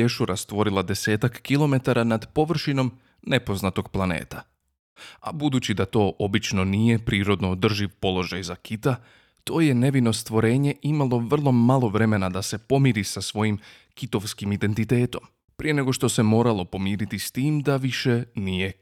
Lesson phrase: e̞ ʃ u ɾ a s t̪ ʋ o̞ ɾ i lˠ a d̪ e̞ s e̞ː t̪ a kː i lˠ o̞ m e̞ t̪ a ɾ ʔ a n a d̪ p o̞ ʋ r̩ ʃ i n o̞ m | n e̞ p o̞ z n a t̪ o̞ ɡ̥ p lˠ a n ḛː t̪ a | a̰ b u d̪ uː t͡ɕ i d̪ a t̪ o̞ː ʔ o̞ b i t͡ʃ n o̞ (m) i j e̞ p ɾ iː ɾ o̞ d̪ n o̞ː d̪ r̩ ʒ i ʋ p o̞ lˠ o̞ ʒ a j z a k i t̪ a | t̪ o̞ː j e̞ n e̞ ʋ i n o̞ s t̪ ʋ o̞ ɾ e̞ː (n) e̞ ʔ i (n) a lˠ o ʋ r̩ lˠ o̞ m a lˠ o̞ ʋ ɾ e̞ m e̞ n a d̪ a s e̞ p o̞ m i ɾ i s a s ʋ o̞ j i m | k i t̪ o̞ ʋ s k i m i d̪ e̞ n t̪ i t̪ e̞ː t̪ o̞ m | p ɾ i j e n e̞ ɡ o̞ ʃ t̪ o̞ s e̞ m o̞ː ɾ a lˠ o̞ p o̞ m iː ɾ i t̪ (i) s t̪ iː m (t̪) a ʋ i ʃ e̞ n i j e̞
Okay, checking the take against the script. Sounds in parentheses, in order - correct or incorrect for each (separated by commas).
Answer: incorrect, incorrect, incorrect, correct, incorrect